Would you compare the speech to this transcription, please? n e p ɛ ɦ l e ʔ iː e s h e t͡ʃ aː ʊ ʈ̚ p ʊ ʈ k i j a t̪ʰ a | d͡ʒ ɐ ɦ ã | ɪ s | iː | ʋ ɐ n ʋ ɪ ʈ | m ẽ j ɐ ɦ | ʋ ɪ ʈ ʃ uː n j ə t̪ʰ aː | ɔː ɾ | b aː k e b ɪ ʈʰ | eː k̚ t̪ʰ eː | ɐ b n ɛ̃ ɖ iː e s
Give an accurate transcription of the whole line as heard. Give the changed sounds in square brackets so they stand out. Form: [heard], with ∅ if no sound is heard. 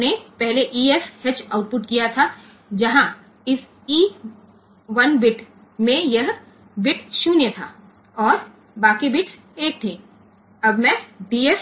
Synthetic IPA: n e p ɛ ɦ l e ʔ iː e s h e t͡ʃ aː ʊ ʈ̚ p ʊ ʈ k i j a t̪ʰ a | d͡ʒ ɐ ɦ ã | ɪ s | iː | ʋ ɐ n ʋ ɪ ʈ | m ẽ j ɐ ɦ | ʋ ɪ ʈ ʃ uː n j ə t̪ʰ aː | ɔː ɾ | b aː k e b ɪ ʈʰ | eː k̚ t̪ʰ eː | ɐ b [m] ɛ̃ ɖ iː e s